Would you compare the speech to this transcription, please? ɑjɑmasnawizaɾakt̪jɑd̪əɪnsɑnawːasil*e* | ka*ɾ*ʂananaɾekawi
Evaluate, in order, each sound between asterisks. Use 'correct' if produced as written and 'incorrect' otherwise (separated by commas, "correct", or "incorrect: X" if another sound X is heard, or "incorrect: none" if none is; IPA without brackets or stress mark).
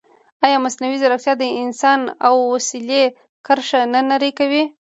correct, correct